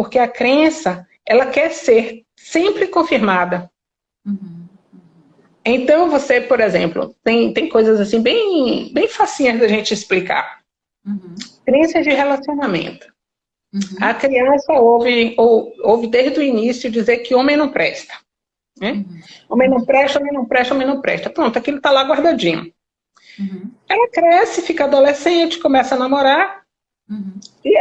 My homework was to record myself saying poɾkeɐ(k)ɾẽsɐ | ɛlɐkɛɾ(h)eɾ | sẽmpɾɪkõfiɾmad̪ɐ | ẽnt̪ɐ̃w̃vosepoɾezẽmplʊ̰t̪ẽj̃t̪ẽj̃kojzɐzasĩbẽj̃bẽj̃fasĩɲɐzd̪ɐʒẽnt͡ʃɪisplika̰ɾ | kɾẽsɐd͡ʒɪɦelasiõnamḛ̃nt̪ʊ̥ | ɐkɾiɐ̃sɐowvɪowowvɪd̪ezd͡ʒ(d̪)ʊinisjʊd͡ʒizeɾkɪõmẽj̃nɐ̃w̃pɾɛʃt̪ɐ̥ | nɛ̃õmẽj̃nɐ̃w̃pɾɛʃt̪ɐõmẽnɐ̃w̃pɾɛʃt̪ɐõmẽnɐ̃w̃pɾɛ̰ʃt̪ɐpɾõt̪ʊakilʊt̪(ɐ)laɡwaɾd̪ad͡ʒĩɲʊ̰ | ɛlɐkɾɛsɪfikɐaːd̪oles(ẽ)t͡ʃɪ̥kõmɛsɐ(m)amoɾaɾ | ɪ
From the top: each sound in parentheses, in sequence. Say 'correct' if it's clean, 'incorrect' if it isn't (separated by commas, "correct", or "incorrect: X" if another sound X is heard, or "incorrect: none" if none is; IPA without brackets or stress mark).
correct, incorrect: s, correct, incorrect: a, correct, incorrect: n